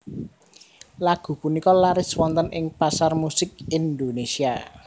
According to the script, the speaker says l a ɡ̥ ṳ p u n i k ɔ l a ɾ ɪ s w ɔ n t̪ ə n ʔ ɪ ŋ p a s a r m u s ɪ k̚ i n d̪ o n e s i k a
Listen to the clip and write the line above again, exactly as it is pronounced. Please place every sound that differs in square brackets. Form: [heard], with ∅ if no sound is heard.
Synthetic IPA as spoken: l a ɡ̥ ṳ p u n i k ɔ l a ɾ ɪ s w ɔ n t̪ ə n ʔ ɪ ŋ p a s a r m u s ɪ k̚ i n d̪ o n e s i [∅] a